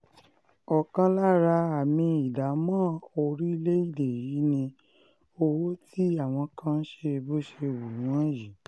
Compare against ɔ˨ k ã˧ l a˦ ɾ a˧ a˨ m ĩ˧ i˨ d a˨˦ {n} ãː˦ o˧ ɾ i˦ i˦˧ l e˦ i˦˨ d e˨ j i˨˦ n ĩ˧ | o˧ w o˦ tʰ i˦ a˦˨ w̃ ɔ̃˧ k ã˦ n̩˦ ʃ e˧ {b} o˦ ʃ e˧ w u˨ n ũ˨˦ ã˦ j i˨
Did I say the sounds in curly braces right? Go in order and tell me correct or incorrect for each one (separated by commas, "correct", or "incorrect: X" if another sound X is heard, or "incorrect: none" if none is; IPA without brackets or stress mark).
incorrect: m, correct